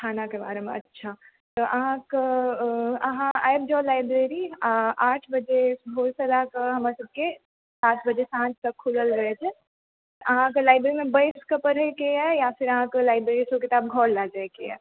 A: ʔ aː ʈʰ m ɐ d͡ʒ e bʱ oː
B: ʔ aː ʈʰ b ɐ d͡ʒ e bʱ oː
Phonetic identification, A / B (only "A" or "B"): B